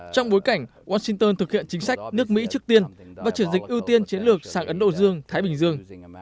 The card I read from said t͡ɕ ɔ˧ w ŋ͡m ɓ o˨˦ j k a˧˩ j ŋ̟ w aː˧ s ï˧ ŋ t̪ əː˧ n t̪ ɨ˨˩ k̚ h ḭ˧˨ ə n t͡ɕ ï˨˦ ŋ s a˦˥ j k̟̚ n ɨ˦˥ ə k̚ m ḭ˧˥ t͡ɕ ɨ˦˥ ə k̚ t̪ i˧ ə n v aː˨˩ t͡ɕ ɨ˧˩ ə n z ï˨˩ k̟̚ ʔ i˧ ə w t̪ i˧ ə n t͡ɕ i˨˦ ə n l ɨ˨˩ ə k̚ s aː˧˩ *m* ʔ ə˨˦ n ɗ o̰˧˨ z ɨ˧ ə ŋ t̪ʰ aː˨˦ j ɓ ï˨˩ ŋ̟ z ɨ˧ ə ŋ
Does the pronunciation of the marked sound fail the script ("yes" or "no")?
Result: yes